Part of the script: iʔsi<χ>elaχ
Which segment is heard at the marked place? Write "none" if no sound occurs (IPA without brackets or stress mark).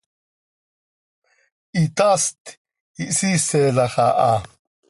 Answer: s